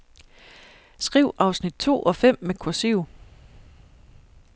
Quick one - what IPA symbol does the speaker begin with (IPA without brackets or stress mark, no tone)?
s